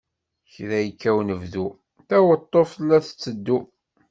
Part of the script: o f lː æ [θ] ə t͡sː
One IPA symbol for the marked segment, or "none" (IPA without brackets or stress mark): θ